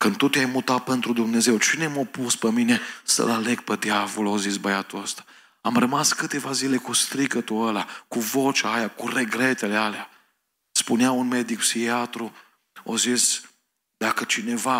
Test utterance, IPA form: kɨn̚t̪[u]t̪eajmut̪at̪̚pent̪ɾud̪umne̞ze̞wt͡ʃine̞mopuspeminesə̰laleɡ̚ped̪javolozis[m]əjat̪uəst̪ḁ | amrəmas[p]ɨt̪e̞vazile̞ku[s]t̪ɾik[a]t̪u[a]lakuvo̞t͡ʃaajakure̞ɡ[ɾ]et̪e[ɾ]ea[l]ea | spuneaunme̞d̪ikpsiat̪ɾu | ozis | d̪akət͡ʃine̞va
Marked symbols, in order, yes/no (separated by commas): yes, no, no, yes, no, no, yes, no, yes